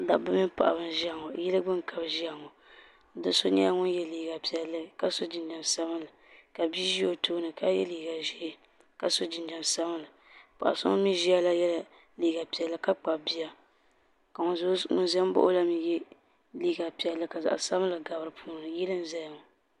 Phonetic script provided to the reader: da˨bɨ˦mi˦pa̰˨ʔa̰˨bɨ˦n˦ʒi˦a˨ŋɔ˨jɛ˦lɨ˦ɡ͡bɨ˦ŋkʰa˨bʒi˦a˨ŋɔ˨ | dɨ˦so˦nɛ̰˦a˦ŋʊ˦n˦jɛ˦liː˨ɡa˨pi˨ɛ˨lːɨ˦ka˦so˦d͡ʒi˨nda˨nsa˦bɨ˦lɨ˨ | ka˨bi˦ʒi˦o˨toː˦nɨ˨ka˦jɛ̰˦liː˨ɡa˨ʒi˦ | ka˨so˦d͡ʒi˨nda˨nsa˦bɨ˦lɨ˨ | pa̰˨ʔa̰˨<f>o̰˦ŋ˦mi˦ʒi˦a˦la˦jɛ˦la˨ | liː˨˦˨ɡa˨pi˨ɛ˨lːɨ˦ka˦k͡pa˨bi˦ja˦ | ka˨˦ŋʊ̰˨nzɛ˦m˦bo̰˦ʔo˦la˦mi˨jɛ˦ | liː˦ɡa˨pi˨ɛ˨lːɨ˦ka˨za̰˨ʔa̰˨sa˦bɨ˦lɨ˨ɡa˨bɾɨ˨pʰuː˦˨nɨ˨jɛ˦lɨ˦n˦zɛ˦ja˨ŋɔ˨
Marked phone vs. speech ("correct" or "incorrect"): incorrect